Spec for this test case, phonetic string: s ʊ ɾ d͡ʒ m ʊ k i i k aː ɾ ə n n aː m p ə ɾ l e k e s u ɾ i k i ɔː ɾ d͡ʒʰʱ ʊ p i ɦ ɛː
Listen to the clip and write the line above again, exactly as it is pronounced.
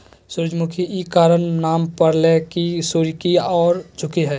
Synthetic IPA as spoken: s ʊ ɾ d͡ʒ m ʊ kʰ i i k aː ɾ ə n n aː m p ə ɾ l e k i s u ɾ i k i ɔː ɾ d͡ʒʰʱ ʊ k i ɦ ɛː